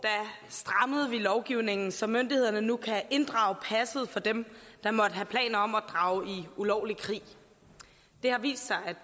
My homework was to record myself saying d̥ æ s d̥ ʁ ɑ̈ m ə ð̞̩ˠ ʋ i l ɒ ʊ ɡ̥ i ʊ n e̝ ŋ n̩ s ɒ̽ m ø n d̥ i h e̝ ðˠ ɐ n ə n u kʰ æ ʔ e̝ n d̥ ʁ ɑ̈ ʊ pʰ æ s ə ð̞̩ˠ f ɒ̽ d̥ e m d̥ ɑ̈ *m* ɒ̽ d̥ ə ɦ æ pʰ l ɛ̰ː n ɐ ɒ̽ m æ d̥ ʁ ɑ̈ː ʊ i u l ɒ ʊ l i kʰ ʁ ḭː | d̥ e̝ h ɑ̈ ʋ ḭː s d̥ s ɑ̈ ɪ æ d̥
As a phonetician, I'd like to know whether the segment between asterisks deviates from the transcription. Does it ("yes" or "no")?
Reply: no